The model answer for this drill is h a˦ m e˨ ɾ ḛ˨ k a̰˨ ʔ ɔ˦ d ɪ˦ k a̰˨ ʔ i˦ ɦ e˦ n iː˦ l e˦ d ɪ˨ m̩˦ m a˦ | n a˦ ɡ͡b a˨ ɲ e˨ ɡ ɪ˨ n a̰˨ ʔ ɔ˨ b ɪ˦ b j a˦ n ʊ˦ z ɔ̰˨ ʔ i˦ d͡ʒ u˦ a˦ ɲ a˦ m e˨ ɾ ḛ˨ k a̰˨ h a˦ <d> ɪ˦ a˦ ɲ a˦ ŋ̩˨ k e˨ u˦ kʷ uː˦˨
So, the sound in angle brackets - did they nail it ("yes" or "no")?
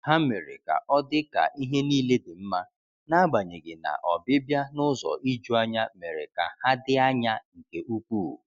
yes